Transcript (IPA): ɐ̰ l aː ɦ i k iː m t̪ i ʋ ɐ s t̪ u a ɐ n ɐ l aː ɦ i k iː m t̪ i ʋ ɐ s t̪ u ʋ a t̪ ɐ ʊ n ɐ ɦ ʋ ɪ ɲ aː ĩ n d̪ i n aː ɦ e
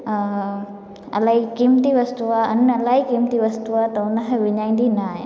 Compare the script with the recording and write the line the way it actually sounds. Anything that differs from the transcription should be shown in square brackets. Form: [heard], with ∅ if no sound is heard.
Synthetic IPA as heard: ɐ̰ l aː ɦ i k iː m t̪ i ʋ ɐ s t̪ u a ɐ n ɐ l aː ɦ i k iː m t̪ i ʋ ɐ s t̪ u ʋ a t̪ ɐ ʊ n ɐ ɦ ʋ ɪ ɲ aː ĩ n d̪ i n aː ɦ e